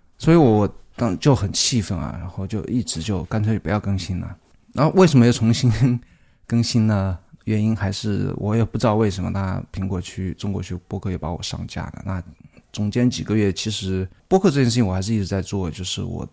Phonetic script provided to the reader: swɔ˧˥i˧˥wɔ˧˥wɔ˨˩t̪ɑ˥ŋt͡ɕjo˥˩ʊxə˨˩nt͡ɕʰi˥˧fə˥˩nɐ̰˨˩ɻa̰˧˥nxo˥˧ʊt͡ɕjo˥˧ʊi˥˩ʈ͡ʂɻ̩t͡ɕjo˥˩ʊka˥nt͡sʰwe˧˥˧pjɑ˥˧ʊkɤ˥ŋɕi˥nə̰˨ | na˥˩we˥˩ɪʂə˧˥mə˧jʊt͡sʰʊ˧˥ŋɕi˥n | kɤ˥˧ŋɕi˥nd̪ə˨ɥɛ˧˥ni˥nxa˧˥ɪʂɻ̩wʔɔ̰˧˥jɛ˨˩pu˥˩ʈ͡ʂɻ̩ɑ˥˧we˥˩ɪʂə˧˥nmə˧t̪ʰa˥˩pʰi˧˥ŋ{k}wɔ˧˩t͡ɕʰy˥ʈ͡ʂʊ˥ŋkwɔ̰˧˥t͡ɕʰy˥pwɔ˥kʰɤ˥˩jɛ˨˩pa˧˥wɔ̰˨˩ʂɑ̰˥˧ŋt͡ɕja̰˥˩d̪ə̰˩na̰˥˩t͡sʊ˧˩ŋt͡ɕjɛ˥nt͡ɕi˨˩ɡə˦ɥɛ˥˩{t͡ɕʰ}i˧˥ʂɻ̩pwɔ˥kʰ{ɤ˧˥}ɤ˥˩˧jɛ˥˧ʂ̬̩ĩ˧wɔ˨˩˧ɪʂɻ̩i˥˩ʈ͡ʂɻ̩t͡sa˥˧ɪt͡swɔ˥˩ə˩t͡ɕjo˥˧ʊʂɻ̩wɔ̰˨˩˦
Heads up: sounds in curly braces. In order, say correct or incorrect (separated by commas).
correct, correct, incorrect